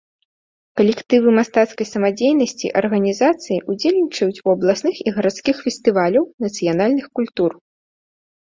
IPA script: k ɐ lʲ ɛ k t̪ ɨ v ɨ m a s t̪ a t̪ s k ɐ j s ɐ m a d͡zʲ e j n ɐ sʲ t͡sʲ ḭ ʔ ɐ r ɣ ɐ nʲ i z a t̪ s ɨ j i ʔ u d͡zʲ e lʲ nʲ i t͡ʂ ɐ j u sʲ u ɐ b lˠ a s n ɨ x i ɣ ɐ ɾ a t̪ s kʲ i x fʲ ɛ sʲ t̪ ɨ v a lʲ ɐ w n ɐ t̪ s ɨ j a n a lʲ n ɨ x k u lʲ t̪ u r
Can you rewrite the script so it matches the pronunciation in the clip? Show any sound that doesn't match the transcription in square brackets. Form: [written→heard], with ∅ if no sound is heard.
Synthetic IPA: k ɐ lʲ ɛ k t̪ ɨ v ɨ m a s t̪ a t̪ s k ɐ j s ɐ m a d͡zʲ e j n ɐ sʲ t͡sʲ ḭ ʔ ɐ r ɣ ɐ nʲ i z a t̪ s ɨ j i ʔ u d͡zʲ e lʲ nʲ i t͡ʂ ɐ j u [sʲ→t͡sʲ] u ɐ b lˠ a s n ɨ x i ɣ ɐ ɾ a t̪ s kʲ i x fʲ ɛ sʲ t̪ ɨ v a lʲ ɐ w n ɐ t̪ s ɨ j a n a lʲ n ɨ x k u lʲ t̪ u r